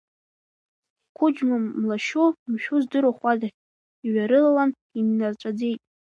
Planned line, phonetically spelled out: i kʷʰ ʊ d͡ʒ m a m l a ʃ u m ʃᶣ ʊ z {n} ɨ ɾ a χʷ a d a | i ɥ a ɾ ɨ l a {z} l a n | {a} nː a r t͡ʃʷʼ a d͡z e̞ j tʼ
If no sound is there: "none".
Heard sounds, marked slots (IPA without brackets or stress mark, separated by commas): d, none, i